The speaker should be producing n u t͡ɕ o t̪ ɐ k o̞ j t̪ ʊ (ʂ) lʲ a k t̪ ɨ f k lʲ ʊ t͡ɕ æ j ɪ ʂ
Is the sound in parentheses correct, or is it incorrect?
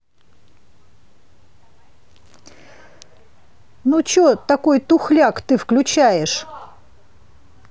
incorrect: x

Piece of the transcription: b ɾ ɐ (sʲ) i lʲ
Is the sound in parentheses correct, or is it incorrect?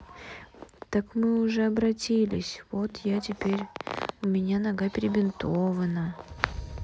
incorrect: tʲ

